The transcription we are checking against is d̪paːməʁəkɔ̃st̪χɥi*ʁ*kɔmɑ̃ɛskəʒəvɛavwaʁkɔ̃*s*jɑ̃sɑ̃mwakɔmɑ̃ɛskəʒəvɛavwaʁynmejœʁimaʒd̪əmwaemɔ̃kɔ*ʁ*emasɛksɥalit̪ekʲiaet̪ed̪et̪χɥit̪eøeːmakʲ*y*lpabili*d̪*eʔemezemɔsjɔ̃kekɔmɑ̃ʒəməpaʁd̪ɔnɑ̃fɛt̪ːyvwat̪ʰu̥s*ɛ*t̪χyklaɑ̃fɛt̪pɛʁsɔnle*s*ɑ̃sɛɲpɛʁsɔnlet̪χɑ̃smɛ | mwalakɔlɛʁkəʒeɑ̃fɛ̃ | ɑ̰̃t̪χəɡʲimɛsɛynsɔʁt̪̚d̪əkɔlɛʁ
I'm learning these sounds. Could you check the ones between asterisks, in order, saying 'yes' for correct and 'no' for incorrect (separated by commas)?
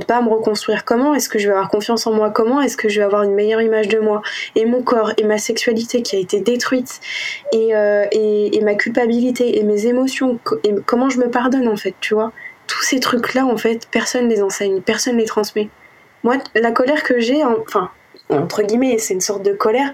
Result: yes, no, yes, yes, no, no, no